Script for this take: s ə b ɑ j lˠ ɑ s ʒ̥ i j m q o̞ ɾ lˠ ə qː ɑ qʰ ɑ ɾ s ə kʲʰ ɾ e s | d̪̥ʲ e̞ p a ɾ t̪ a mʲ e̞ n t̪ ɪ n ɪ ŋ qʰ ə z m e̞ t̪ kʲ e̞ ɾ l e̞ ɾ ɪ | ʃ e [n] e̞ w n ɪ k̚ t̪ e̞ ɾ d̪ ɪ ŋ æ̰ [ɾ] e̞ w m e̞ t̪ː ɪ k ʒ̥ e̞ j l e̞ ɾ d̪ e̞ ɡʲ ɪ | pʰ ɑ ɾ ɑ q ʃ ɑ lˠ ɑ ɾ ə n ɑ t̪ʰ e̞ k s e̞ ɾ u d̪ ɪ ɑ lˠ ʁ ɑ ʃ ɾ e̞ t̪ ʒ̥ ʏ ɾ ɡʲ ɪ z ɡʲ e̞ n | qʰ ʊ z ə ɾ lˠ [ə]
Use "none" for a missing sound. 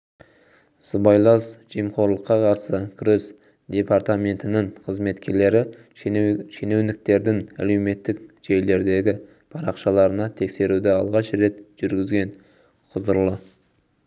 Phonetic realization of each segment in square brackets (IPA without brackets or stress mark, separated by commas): n, l, ə